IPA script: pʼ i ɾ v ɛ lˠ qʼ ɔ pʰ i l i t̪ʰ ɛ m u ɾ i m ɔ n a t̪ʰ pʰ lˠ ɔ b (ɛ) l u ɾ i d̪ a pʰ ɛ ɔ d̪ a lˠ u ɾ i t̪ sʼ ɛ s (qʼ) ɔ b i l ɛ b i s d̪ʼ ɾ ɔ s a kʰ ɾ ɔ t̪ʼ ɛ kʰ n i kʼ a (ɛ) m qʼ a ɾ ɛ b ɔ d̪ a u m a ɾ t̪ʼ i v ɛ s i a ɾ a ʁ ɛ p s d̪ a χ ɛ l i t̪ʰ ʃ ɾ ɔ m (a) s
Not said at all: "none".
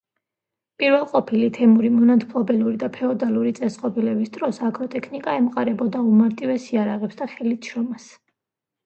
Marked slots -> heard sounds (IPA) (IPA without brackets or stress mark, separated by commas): ɛ, qʼ, ɛ, a